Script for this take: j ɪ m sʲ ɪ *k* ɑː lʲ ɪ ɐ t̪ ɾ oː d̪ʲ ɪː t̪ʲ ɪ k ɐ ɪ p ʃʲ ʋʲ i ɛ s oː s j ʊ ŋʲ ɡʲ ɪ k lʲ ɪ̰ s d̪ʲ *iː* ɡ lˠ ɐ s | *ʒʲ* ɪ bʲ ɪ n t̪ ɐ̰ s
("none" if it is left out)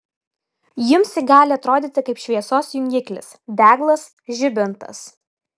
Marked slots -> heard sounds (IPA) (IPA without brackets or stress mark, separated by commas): ɡ, æː, ʒʲ